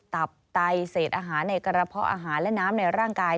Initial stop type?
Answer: plain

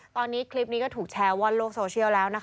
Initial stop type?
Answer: plain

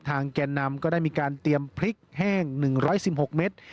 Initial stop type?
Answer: aspirated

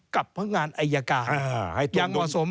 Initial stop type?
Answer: plain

